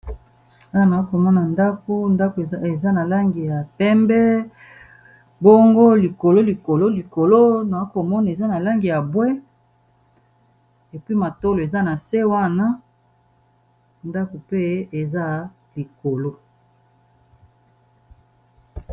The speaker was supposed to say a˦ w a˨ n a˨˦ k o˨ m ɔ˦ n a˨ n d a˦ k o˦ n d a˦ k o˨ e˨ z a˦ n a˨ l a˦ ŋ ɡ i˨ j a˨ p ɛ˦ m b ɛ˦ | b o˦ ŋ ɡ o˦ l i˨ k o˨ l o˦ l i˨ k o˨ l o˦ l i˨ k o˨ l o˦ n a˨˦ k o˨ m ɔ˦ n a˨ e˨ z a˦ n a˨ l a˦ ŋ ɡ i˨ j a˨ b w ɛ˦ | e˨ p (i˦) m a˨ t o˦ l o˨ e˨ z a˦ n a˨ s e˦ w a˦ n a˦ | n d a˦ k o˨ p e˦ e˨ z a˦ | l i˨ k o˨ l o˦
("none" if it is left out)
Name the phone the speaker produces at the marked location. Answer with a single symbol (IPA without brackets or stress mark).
i˦